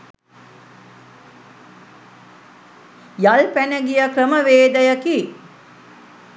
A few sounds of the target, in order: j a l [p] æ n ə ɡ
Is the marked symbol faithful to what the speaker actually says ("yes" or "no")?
yes